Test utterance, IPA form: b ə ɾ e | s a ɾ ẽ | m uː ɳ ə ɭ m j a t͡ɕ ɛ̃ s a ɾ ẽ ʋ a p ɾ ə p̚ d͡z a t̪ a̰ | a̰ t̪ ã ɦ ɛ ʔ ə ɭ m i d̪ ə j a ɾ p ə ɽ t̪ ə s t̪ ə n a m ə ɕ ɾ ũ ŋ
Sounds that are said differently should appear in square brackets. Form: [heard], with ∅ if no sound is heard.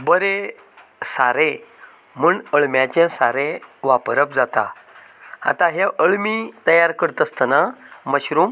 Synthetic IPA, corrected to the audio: b ə ɾ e | s a ɾ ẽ | m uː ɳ ə ɭ m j a t͡ɕ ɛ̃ s a ɾ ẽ ʋ a p ɾ ə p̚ d͡z a t̪ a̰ | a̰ t̪ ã ɦ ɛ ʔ ə ɭ m i [t̪] ə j a ɾ [k] ə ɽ t̪ ə s t̪ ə n a m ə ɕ ɾ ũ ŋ